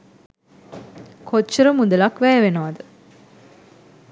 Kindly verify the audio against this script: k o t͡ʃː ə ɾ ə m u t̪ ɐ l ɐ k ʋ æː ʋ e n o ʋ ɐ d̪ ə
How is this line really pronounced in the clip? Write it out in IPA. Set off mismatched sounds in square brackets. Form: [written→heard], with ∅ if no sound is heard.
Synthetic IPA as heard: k o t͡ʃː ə ɾ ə m u [t̪→d̪] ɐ l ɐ k ʋ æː ʋ e n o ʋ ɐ d̪ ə